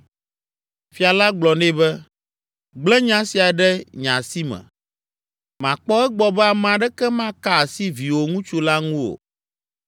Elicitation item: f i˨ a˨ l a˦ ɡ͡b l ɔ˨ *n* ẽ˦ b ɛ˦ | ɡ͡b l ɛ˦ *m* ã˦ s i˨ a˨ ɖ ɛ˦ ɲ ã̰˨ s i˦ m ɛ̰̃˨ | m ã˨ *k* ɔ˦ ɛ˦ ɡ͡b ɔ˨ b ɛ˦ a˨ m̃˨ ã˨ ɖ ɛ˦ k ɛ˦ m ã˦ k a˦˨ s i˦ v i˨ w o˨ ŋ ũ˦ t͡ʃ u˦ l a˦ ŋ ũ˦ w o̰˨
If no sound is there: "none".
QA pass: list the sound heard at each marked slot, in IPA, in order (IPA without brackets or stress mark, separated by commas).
n, ɲ, k͡p